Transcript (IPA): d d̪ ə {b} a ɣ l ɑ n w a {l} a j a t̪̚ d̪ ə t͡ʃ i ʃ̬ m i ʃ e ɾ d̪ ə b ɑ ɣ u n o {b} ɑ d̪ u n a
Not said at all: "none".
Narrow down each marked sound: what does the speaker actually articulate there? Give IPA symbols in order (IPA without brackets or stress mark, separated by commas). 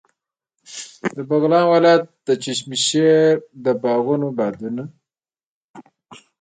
b, l, b